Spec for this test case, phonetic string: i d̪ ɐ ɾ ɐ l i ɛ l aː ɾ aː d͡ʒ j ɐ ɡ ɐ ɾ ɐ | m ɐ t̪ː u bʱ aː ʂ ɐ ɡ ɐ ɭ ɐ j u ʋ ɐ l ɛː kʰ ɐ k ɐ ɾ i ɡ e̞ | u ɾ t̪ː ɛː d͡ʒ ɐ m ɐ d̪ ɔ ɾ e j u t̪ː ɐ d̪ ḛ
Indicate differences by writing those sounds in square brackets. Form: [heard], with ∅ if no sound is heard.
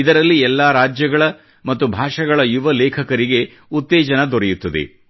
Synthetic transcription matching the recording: i d̪ ɐ ɾ ɐ [lː] i ɛ [lː] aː ɾ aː d͡ʒ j ɐ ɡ ɐ [ɭ] ɐ | m ɐ t̪ː u bʱ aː ʂ ɐ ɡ ɐ ɭ ɐ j u ʋ ɐ l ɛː kʰ ɐ k ɐ ɾ i ɡ e̞ | u [∅] t̪ː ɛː d͡ʒ ɐ [n] ɐ d̪ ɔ ɾ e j u t̪ː ɐ d̪ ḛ